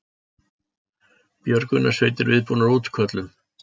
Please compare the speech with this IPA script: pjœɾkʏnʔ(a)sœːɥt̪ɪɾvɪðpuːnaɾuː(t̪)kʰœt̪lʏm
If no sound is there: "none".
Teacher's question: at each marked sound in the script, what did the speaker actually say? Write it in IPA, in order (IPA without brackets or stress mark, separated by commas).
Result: a, t̪